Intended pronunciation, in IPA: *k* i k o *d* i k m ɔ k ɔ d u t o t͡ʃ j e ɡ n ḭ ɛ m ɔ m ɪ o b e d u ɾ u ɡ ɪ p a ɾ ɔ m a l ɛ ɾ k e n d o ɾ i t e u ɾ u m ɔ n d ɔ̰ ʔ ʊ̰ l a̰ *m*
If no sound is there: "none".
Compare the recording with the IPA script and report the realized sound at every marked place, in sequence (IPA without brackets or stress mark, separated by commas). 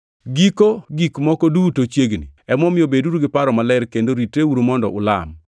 ɡ, ɡ, m